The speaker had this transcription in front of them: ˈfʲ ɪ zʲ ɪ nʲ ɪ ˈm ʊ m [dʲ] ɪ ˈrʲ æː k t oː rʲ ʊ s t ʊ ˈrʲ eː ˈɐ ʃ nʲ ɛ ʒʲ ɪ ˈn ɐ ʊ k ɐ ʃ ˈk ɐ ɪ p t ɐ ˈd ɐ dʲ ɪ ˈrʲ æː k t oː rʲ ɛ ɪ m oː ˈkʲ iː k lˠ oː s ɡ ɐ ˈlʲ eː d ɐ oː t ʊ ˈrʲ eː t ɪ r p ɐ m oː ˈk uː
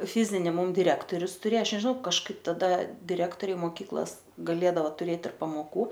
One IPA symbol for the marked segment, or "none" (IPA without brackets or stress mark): dʲ